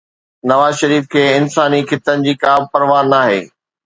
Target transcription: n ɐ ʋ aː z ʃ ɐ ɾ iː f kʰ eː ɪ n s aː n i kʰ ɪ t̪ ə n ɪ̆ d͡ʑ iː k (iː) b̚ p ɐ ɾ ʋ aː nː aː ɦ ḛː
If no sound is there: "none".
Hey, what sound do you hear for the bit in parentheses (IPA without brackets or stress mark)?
aː